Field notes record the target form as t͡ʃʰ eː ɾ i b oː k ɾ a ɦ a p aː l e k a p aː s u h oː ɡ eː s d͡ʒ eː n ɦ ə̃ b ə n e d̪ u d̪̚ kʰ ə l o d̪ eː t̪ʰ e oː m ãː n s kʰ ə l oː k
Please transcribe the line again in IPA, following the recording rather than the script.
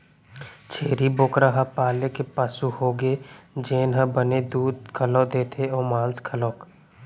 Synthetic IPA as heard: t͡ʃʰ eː ɾ i b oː k ɾ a ɦ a p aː l e k e p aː s u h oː ɡ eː d͡ʒ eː n ɦ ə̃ b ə n e d̪ uː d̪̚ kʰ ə l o d̪ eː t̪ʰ e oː m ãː n s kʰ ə l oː k